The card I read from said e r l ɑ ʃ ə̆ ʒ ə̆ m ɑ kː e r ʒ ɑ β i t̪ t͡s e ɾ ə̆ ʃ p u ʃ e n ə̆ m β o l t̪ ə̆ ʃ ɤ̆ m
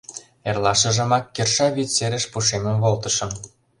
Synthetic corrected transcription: e r l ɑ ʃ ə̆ ʒ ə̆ m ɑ kː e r ʃ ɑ β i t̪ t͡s e ɾ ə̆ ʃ p u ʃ e m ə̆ m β o l t̪ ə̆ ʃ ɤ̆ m